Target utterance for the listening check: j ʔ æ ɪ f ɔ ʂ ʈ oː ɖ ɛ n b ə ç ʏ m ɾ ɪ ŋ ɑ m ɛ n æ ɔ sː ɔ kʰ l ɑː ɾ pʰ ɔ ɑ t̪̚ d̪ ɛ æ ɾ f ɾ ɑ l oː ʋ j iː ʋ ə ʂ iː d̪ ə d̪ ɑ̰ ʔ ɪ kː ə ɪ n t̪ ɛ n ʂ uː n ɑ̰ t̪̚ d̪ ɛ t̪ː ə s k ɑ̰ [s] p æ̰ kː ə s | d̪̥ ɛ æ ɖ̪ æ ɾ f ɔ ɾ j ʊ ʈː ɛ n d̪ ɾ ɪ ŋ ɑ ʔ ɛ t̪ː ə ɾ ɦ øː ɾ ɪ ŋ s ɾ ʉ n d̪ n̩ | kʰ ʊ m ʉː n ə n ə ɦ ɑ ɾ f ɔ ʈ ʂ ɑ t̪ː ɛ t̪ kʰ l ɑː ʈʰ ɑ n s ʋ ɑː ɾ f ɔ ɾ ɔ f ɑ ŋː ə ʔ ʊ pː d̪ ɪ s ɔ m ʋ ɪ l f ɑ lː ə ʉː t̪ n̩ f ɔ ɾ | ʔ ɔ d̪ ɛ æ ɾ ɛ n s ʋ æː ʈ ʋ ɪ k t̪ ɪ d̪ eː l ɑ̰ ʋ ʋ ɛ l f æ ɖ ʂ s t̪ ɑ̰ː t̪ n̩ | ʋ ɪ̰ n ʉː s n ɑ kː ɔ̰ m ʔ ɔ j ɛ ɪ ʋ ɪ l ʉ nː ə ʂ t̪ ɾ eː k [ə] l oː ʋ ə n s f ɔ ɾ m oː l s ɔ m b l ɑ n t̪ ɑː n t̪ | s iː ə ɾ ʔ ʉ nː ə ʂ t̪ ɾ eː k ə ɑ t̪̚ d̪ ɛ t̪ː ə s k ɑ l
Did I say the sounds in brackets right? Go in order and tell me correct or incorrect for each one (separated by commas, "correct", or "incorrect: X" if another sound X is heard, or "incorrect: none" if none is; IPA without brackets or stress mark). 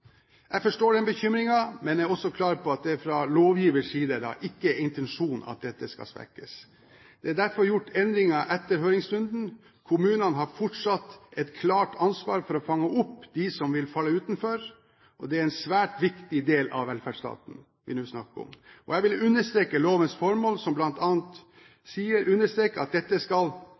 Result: correct, correct